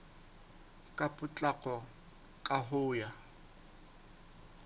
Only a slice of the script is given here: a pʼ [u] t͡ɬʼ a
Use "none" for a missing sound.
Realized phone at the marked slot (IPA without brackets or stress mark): ʊ